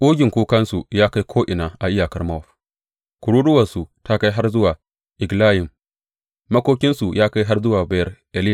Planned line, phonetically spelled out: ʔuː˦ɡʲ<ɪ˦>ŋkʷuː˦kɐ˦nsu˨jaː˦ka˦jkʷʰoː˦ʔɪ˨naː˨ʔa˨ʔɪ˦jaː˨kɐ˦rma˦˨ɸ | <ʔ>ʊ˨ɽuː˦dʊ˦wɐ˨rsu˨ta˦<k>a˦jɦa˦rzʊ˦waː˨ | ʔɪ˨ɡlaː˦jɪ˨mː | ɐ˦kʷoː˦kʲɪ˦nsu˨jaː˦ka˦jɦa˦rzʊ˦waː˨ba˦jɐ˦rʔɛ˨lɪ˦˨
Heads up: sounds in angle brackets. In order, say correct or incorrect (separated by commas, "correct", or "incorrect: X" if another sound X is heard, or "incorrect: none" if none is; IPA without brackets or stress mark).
incorrect: ɪ˨, incorrect: k, correct